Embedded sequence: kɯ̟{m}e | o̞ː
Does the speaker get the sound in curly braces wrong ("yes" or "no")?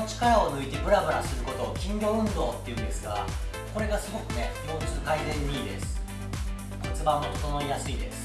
yes